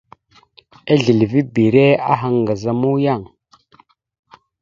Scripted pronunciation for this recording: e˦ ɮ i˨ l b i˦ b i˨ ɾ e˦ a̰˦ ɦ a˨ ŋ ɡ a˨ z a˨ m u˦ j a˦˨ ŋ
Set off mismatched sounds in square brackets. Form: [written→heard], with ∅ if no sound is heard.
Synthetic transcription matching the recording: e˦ ɮ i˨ l [b→v] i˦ b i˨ ɾ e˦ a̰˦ ɦ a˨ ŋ ɡ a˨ z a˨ m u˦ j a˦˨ ŋ